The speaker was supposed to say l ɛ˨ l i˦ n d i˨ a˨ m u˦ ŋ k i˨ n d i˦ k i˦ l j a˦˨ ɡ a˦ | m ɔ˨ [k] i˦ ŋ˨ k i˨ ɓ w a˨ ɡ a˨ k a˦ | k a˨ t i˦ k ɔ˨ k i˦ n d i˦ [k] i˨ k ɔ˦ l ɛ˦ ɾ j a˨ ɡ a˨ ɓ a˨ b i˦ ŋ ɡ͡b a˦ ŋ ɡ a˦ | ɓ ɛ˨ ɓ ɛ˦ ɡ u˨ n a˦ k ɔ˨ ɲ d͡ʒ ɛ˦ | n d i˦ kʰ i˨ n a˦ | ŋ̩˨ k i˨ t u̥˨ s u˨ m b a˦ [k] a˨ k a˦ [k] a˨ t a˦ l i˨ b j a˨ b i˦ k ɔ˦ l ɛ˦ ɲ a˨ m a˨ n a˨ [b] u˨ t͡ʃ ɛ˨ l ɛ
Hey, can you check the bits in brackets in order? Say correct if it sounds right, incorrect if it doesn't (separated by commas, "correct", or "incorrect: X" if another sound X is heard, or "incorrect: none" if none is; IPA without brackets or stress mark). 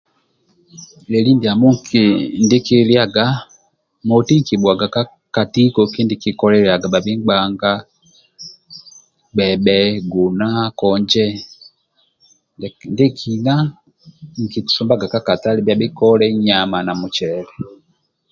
incorrect: t, correct, incorrect: ɡ, correct, incorrect: m